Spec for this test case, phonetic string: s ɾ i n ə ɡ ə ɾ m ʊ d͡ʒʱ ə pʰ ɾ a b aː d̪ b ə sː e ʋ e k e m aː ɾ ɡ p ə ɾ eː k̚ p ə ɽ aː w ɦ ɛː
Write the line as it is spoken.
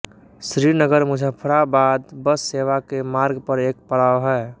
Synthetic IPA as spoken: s ɾ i n ə ɡ ə ɾ m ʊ d͡ʒʱ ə pʰ ɾ a b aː d̪ b ə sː e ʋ a k e m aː ɾ ɡ p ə ɾ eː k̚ p ə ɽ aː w ɦ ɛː

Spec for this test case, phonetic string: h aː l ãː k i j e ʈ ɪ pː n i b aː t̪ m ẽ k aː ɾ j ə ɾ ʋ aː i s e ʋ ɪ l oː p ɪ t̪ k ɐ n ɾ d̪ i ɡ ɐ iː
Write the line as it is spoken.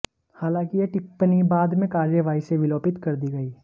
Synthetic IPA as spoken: h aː l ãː k i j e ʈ ɪ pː n i b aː d̪ m ẽ k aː ɾ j ə ʋ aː i s e ʋ ɪ l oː p ɪ t̪ k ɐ ɾ d̪ i ɡ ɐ iː

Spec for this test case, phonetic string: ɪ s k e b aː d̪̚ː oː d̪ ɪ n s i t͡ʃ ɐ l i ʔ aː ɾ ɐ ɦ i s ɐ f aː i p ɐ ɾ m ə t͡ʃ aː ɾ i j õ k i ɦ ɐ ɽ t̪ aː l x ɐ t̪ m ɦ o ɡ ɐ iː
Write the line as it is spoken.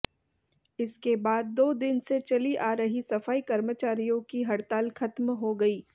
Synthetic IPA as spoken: ɪ s k e b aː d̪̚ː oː d̪ ɪ n s e t͡ʃ ɐ l i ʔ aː ɾ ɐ ɦ i s ɐ f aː i k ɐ ɾ m ə t͡ʃ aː ɾ i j õ k i ɦ ɐ ɽ t̪ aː l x ɐ t̪ m ɦ o ɡ ɐ iː

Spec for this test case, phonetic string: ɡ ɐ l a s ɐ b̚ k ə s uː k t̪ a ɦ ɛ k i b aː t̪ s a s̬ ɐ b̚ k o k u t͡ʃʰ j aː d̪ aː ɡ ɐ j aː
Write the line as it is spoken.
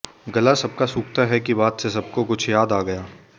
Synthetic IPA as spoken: ɡ ɐ l a s ɐ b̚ k a s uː k t̪ a ɦ ɛ k i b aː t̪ s e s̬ ɐ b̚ k o k ʊ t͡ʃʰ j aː d̪ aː ɡ ɐ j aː

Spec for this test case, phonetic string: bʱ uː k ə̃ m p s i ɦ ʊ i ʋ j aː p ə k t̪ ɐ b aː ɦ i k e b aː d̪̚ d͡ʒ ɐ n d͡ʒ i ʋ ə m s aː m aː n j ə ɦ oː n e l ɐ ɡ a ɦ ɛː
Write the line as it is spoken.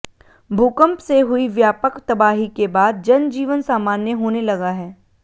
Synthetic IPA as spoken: bʱ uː k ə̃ m p s e ɦ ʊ i ʋ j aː p ə k t̪ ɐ b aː ɦ i k e b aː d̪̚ d͡ʒ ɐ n d͡ʒ iː ʋ ə n s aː m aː n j ə ɦ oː n e l ɐ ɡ a ɦ ɛː

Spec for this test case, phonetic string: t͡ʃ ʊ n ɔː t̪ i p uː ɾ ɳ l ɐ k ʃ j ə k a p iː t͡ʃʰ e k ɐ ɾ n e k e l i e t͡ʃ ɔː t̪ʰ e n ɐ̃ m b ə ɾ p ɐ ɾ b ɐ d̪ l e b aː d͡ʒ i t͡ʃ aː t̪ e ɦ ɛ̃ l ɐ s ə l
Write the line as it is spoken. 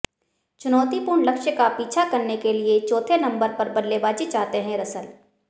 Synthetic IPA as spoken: t͡ʃ ʊ n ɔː t̪ i p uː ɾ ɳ l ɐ k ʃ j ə k a p iː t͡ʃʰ a k ɐ ɾ n e k e l i e t͡ʃ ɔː t̪ʰ e n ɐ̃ m b ə ɾ p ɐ ɾ b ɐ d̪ l e b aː d͡ʒ i t͡ʃ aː t̪ e ɦ ɛ̃ ɾ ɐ s ə l

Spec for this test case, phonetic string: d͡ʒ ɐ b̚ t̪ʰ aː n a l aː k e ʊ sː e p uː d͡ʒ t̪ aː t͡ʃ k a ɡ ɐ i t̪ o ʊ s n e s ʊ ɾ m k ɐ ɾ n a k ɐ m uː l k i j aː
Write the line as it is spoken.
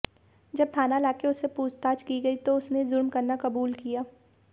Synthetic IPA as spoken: d͡ʒ ɐ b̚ t̪ʰ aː n a l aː k e ʊ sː e p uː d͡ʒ t̪ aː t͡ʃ k i ɡ ɐ i t̪ o ʊ s n e z ʊ ɾ m k ɐ ɾ n a k ɐ b uː l k i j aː

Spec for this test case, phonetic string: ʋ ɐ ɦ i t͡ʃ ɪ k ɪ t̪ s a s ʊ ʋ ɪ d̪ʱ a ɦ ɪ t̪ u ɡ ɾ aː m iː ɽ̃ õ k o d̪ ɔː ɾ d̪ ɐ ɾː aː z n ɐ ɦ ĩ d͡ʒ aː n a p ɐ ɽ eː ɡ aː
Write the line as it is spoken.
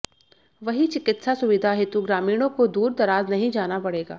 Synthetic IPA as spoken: ʋ ɐ ɦ i t͡ʃ ɪ k ɪ t̪ s a s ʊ ʋ ɪ d̪ʱ a ɦ ɪ t̪ u ɡ ɾ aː m iː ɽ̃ õ k o d̪ uː ɾ d̪ ɐ ɾ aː z n ɐ ɦ ĩ d͡ʒ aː n a p ɐ ɽ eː ɡ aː

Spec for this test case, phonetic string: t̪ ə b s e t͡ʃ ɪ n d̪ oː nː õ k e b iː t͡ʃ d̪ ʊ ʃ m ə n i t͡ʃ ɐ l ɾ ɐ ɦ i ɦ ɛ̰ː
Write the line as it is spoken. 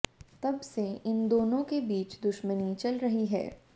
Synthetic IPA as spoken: t̪ ɐ b s e ɪ n d̪ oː n õ k e b iː t͡ʃ d̪ ʊ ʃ m ə n i t͡ʃ ɐ l ɾ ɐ ɦ i ɦ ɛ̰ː

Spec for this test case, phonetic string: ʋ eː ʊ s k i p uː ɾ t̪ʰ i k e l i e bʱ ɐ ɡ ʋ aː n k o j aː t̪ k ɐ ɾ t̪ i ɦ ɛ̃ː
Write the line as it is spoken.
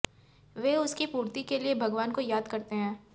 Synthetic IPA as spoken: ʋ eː ʊ s k i p uː ɾ t̪ i k e l i e bʱ ɐ ɡ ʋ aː n k o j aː d̪ k ɐ ɾ t̪ e ɦ ɛ̃ː

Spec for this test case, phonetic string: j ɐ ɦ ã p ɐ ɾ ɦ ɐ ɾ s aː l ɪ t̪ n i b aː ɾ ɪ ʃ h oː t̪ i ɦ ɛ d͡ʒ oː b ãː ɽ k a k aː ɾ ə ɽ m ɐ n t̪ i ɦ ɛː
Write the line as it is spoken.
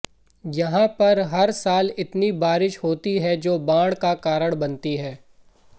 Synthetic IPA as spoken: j ɐ ɦ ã p ɐ ɾ ɦ ɐ ɾ s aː l ɪ t̪ n i b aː ɾ ɪ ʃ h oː t̪ i ɦ ɛ d͡ʒ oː b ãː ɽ k a k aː ɾ ə ɽ b ɐ n t̪ i ɦ ɛː

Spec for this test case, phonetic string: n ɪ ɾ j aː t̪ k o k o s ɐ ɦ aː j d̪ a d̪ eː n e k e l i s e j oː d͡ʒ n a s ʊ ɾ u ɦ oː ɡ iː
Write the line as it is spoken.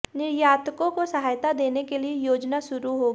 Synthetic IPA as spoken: n ɪ ɾ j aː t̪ k õ k o s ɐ ɦ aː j t̪ a d̪ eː n e k e l i e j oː d͡ʒ n a ʃ ʊ ɾ u ɦ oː ɡ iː

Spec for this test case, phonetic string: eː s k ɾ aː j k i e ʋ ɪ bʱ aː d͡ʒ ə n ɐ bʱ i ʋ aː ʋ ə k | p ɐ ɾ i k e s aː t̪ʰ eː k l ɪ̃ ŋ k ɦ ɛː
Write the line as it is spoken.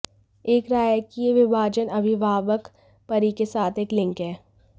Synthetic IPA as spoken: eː k ɾ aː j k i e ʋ ɪ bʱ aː d͡ʒ ə n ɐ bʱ i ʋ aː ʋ ə k | p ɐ ɾ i k e s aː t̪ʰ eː k l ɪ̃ ŋ k ɦ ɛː

